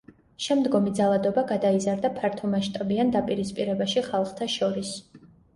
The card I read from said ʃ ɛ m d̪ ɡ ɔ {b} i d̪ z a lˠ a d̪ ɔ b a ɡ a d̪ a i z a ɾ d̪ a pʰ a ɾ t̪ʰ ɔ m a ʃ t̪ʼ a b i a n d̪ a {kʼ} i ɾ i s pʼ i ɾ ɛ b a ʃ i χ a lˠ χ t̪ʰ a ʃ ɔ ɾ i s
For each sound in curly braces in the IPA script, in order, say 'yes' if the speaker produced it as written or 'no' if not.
no, no

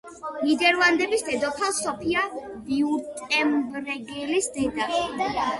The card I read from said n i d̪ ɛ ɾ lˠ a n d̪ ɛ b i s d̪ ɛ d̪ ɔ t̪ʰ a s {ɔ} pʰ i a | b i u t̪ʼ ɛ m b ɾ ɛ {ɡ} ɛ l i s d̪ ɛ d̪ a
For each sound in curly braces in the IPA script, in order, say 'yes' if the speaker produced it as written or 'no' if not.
yes, yes

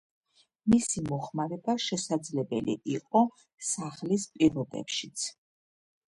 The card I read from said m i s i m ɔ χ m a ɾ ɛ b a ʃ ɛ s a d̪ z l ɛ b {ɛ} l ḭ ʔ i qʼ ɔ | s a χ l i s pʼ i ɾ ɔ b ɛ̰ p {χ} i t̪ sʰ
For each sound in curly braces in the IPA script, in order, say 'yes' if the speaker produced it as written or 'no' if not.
yes, no

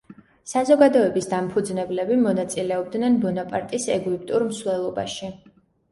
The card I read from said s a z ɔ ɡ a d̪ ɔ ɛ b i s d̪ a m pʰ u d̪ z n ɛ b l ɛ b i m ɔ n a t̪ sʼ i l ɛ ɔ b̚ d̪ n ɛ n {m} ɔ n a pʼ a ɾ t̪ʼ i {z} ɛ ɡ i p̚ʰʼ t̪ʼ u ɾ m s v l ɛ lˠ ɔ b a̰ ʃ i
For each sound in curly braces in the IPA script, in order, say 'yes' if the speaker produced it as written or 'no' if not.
no, no

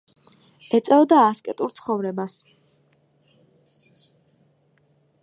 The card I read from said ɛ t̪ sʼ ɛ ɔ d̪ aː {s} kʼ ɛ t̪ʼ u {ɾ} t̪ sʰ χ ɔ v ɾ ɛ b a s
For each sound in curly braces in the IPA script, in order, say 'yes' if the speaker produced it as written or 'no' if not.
yes, yes

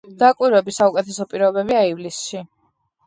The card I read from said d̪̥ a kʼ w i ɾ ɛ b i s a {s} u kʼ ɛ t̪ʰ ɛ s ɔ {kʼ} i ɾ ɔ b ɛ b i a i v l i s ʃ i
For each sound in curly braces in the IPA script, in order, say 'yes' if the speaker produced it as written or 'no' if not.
no, no

